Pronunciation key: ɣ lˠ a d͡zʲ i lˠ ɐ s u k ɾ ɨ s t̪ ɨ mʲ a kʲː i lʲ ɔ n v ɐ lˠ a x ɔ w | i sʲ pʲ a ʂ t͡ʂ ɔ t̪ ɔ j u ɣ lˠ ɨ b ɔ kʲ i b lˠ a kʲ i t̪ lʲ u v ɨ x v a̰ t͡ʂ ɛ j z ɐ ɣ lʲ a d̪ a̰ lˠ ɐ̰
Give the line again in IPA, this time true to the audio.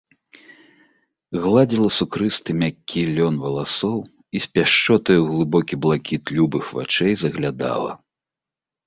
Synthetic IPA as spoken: ɣ lˠ a d͡zʲ i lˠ ɐ s u k ɾ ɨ s t̪ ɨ mʲ a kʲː i lʲ ɔ n v ɐ lˠ a s ɔ w | i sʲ pʲ a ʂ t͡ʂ ɔ t̪ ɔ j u ɣ lˠ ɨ b ɔ kʲ i b lˠ a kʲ i t̪ lʲ u b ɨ x v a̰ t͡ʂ ɛ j z ɐ ɣ lʲ a d̪ a̰ lˠ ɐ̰

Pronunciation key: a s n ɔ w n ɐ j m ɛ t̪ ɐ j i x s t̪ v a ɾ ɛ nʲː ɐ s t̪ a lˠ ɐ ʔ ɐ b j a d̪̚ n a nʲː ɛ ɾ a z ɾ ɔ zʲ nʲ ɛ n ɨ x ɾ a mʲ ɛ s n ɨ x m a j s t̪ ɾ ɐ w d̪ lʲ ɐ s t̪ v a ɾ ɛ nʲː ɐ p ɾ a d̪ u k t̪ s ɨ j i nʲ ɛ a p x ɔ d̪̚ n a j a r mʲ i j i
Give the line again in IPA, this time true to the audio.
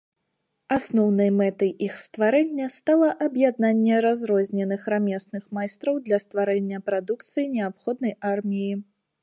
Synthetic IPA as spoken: a s n ɔ w n ɐ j m ɛ t̪ ɐ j i x s t̪ v a ɾ ɛ nʲː ɐ s t̪ a lˠ ɐ ʔ ɐ b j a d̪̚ n a nʲː ɛ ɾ a z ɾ ɔ zʲ nʲ ɛ n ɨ x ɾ a mʲ ɛ s n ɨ x m a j s t̪ ɾ ɐ w d̪ lʲ ɐ s t̪ v a ɾ ɛ nʲː ɐ p ɾ a d̪ u k t̪ s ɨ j i nʲ ɛ a p x ɔ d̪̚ n ɐ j a r mʲ i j i

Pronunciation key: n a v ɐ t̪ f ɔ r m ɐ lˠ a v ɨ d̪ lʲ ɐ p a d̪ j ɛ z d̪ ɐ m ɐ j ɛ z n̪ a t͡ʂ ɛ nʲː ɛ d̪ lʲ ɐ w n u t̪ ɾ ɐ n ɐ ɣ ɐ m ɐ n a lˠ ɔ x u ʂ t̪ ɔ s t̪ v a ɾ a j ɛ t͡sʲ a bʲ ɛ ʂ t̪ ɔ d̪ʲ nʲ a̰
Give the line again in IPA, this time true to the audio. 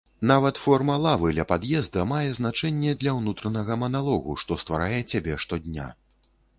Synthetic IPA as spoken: n a v ɐ t̪ f ɔ r m ɐ lˠ a v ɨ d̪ lʲ ɐ p a d̪ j ɛ z d̪ ɐ m a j ɛ z n̪ a t͡ʂ ɛ nʲː ɛ d̪ lʲ ɐ w n u t̪ ɾ ɐ n ɐ ɣ ɐ m ɐ n a lˠ ɔ ɣ u ʂ t̪ ɔ s t̪ v a ɾ a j ɛ t͡sʲ a bʲ ɛ ʂ t̪ ɔ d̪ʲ nʲ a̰

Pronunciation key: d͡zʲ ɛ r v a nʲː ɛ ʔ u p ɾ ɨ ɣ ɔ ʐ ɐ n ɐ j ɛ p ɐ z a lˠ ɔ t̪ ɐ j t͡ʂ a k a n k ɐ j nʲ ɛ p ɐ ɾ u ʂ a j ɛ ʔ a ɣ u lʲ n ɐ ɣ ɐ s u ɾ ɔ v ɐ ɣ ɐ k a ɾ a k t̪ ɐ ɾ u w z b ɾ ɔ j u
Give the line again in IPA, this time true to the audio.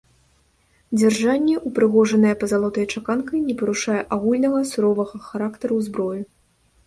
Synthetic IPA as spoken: d͡zʲ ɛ r ʐ a nʲː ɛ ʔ u p ɾ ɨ ɣ ɔ ʐ ɐ n ɐ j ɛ p ɐ z a lˠ ɔ t̪ ɐ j t͡ʂ a k a n k ɐ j nʲ ɛ p ɐ ɾ u ʂ a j ɛ ʔ a ɣ u lʲ n ɐ ɣ ɐ s u ɾ ɔ v ɐ ɣ ɐ x a ɾ a k t̪ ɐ ɾ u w z b ɾ ɔ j u

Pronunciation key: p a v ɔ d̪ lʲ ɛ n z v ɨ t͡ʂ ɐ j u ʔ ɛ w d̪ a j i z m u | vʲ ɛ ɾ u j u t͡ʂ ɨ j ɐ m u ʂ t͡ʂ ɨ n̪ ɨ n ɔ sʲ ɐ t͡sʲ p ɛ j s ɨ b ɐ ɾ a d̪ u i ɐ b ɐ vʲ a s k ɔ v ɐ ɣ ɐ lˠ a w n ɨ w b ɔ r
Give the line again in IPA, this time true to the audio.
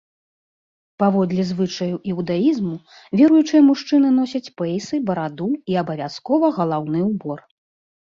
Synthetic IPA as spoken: p a v ɔ d̪ lʲ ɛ z v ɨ t͡ʂ ɐ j u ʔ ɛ w d̪ a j i z m u | vʲ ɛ ɾ u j u t͡ʂ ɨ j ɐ m u ʂ t͡ʂ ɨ n̪ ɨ n ɔ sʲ ɐ t͡sʲ p ɛ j s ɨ b ɐ ɾ a d̪ u i ɐ b ɐ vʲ a s k ɔ v ɐ ɣ ɐ lˠ a w n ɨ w b ɔ r

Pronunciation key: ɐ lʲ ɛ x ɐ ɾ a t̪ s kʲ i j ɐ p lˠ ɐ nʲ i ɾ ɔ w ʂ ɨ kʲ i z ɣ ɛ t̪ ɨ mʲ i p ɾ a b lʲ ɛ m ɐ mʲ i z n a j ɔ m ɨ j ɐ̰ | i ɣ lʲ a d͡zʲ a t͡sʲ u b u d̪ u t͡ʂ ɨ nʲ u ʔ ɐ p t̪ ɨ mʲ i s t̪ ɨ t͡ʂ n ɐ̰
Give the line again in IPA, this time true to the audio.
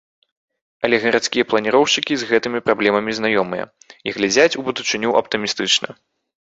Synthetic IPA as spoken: ɐ lʲ ɛ ɣ ɐ ɾ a t̪ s kʲ i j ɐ p lˠ ɐ nʲ i ɾ ɔ w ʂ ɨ kʲ i z ɣ ɛ t̪ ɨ mʲ i p ɾ a b lʲ ɛ m ɐ mʲ i z n a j ɔ m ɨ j ɐ̰ | i ɣ lʲ a d͡zʲ a t͡sʲ u b u d̪ u t͡ʂ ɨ nʲ u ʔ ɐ p t̪ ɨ mʲ i s t̪ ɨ t͡ʂ n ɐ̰

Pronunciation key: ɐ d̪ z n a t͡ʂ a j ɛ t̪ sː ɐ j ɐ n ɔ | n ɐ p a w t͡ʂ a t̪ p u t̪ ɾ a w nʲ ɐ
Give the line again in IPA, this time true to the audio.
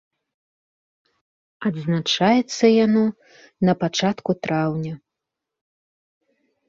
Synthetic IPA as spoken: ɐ d̪ z n a t͡ʂ a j ɛ t̪ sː ɐ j a n ɔ | n ɐ p a t͡ʂ a t̪ k u t̪ ɾ a w nʲ ɐ

